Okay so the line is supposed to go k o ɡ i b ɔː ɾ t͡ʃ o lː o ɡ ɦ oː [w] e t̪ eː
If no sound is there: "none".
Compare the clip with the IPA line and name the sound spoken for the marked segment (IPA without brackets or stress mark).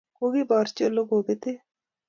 b